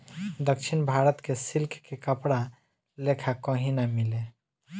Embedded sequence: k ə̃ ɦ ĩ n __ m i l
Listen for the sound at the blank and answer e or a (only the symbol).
a